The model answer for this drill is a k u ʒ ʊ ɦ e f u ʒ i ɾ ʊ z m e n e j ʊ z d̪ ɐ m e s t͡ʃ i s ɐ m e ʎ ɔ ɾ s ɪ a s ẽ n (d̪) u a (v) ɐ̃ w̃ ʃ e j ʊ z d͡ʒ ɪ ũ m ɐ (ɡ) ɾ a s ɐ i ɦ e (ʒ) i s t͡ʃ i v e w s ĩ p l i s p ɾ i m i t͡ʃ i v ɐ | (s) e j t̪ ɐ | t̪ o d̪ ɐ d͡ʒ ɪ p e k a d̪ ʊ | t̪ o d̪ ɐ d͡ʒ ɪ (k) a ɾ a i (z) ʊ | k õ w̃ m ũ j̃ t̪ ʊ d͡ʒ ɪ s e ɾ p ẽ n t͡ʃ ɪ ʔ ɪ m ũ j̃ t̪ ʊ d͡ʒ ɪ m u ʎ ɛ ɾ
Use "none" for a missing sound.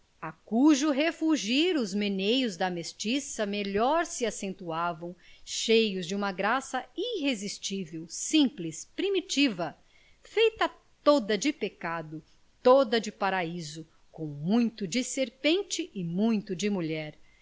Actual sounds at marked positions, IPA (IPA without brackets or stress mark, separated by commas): t̪, v, ɡ, z, f, p, z